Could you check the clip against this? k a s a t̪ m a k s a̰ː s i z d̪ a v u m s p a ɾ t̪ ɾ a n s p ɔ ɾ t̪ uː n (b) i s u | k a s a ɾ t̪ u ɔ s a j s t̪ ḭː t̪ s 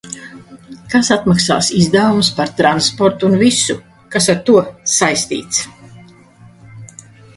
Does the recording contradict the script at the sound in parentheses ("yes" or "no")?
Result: yes